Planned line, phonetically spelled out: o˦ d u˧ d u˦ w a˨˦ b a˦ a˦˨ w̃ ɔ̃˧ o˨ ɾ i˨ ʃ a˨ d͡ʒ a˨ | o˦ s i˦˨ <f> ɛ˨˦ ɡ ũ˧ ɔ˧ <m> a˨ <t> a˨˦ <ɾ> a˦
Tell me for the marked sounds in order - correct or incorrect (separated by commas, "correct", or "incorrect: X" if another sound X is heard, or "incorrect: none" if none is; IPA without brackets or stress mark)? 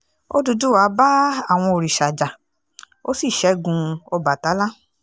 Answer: incorrect: ʃ, incorrect: b, correct, incorrect: l